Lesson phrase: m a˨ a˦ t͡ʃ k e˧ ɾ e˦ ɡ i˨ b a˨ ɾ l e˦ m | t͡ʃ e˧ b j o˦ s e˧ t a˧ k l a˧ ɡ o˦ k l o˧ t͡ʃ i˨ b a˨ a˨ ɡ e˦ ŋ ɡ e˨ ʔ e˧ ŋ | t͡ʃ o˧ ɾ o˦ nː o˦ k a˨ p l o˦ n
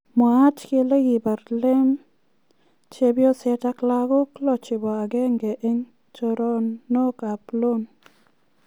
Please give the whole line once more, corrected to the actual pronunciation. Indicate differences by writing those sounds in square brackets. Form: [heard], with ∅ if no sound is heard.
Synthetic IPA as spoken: m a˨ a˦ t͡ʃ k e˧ [l] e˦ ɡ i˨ b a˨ ɾ l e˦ m | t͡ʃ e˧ b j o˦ s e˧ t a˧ k l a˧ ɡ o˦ k l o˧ t͡ʃ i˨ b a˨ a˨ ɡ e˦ ŋ ɡ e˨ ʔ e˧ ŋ | t͡ʃ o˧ ɾ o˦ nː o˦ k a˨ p l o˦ n